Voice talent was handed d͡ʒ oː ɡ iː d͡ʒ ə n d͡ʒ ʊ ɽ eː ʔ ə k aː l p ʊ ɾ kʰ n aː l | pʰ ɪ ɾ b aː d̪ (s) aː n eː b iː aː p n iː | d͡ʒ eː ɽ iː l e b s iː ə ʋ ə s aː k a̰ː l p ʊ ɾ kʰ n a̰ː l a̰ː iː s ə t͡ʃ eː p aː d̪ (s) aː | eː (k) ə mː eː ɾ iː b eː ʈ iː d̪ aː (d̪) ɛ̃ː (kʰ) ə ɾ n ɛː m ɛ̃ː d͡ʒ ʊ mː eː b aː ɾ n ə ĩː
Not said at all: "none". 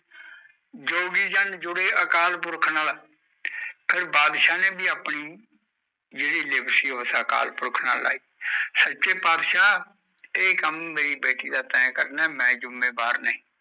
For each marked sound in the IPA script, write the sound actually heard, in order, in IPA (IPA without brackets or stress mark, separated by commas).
ʃ, ʃ, k, t̪, k